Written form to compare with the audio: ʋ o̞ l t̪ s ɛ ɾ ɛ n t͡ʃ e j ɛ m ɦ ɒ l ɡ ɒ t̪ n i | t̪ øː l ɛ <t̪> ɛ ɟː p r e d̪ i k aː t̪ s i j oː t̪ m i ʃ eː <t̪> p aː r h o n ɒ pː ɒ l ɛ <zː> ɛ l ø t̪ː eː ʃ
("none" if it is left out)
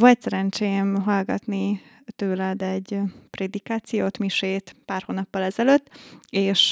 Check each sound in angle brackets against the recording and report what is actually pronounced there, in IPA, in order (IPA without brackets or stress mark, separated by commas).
d̪, t̪, z